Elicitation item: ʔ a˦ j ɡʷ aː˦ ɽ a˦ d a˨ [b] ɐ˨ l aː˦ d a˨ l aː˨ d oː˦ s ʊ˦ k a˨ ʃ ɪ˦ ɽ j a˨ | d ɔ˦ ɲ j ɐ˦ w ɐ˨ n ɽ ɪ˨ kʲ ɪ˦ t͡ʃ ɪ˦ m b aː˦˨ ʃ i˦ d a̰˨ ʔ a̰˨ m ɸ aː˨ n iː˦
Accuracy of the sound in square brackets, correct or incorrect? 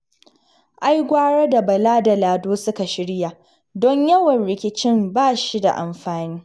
correct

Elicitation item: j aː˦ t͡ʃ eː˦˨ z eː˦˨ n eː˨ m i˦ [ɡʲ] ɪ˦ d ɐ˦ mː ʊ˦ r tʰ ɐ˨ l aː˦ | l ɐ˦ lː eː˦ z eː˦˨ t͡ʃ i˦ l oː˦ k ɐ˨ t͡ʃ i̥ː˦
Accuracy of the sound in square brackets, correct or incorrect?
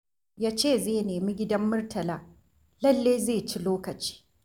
correct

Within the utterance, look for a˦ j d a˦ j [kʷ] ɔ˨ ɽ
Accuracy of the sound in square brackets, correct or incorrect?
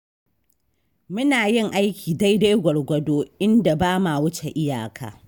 incorrect: ɡʷ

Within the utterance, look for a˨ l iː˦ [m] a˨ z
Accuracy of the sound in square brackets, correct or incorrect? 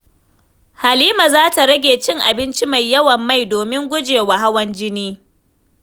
correct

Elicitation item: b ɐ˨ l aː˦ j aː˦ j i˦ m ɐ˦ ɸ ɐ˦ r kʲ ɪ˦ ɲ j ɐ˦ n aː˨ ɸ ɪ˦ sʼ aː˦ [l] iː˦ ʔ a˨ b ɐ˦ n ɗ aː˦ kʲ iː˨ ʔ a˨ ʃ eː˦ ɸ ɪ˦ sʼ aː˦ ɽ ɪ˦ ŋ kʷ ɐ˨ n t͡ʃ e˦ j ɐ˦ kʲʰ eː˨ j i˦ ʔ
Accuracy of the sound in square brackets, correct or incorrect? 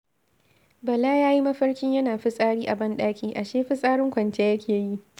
incorrect: ɽ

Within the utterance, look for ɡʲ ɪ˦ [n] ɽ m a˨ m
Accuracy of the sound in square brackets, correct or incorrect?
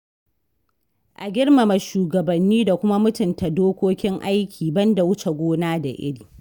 incorrect: none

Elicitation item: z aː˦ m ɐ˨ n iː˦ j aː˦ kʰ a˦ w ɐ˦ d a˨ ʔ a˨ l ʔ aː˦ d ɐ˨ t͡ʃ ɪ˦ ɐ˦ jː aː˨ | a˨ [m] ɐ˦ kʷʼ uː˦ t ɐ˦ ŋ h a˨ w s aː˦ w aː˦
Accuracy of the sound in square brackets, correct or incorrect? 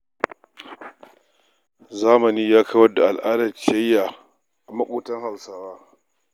correct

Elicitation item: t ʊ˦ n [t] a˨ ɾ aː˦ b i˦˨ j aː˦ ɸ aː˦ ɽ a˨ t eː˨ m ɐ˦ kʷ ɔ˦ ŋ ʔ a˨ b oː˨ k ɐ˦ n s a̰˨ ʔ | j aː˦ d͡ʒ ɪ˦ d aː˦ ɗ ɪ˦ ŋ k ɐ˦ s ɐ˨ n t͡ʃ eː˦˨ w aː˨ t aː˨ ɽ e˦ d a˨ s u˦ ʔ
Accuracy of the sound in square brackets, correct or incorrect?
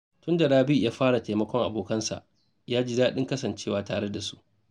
incorrect: d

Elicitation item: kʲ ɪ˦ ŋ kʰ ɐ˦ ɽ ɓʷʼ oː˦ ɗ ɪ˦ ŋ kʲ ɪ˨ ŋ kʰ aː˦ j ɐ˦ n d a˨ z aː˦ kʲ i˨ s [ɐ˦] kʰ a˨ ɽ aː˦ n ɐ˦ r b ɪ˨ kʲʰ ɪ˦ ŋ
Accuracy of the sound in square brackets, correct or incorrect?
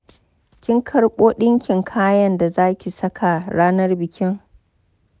correct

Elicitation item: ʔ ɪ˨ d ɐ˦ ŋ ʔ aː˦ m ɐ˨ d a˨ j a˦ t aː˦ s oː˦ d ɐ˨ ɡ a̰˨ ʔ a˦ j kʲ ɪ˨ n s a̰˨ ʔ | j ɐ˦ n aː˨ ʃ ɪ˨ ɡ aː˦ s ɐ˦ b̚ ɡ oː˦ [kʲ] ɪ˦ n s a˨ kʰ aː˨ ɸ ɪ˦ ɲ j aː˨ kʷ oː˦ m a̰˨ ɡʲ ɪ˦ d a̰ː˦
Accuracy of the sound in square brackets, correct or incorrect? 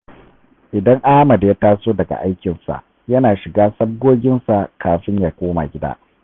incorrect: ɡʲ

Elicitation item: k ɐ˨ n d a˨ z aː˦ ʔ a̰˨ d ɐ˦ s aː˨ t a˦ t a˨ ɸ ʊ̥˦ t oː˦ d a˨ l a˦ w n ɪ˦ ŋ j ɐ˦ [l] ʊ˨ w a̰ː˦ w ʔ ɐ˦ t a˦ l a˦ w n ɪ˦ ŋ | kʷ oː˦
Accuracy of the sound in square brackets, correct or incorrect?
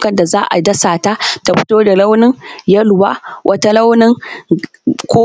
correct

